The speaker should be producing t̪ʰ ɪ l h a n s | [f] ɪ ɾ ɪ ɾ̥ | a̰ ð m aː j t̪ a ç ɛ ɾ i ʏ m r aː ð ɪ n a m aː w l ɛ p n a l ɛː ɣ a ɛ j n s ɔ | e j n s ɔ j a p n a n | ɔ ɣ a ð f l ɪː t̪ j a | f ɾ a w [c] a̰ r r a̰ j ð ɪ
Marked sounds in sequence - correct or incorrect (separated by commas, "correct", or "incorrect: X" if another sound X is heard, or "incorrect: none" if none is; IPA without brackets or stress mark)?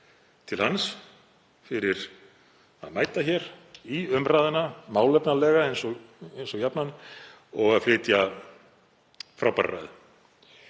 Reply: correct, incorrect: p